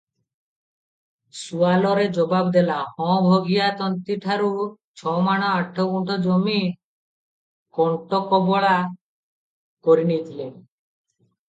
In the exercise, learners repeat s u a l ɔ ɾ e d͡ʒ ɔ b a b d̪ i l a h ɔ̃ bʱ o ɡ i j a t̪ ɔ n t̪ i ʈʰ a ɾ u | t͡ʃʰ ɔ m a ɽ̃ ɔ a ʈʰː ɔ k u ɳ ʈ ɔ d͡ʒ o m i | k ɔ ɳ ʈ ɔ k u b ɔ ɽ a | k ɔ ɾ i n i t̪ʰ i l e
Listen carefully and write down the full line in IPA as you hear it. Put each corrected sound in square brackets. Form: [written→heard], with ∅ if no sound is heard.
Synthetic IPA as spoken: s u a l ɔ ɾ e d͡ʒ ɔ b a b d̪ [i→e] l a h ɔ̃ bʱ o ɡ i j a t̪ ɔ n t̪ i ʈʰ a ɾ u | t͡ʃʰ ɔ m a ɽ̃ ɔ a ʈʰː ɔ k u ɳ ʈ ɔ d͡ʒ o m i | k ɔ ɳ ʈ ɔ k [u→ɔ] b ɔ [ɽ→ɭ] a | k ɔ ɾ i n i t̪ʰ i l e